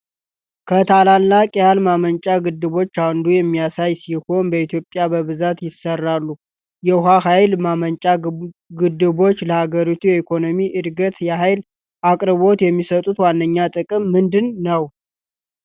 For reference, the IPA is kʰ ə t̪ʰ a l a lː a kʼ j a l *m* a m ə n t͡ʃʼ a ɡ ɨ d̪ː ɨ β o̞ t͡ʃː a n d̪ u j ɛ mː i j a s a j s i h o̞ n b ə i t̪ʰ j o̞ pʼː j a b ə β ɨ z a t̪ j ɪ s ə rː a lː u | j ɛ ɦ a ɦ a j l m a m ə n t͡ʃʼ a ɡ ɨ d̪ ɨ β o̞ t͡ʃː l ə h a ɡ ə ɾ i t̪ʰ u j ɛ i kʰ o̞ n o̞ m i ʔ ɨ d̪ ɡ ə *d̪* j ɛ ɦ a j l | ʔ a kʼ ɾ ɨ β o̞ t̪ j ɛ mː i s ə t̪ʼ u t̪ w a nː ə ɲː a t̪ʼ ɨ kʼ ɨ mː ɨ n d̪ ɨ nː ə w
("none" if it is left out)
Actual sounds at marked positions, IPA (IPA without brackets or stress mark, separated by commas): m, t̪